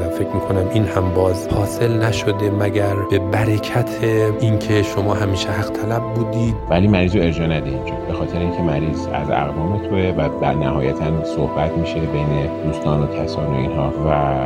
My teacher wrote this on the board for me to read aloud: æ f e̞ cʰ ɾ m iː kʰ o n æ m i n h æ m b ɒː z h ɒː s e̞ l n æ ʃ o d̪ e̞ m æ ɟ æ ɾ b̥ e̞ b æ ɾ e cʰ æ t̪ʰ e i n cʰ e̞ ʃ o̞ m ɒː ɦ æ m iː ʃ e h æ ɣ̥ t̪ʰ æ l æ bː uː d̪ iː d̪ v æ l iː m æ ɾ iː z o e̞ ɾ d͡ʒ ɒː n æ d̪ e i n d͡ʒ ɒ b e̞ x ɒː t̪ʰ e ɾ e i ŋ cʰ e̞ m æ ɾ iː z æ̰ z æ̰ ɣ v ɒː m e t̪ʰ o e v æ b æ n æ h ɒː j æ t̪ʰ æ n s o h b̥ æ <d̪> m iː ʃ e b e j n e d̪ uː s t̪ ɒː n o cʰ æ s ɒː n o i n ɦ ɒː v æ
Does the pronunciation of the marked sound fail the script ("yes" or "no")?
yes